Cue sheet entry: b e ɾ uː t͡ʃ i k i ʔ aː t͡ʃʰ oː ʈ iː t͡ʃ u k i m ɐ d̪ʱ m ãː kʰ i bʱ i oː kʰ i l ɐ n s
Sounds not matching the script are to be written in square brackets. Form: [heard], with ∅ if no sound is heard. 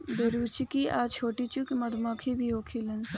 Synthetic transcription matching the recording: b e ɾ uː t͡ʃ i k i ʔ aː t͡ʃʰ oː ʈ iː t͡ʃ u k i m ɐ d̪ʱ m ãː kʰ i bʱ i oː kʰ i l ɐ n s

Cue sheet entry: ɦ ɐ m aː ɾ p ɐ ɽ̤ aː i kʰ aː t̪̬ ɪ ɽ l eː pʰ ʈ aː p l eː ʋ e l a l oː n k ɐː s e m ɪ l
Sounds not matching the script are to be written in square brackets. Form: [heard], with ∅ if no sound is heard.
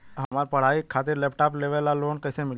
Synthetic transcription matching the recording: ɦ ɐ m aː ɾ p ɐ ɽ̤ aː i kʰ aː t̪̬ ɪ [ɾ] l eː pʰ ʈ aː p l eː ʋ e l a l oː n k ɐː s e m ɪ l

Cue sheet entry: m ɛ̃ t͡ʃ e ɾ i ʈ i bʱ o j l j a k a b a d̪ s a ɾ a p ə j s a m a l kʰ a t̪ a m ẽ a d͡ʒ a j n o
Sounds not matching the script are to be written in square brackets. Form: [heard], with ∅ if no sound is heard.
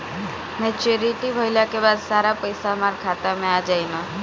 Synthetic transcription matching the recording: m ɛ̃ t͡ʃ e ɾ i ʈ i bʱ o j l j a k [e] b a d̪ s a ɾ a p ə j s a m a [ɾ] kʰ a t̪ a m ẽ a d͡ʒ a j n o

